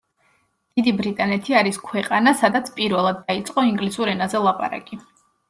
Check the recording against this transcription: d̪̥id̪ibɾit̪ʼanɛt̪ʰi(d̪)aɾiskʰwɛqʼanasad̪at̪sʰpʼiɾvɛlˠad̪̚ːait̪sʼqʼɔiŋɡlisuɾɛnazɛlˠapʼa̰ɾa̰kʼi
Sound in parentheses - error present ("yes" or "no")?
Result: yes